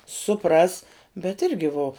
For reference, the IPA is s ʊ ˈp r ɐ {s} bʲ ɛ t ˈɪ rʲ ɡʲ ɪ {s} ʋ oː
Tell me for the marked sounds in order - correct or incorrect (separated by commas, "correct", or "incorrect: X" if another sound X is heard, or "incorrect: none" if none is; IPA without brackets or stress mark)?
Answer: correct, incorrect: none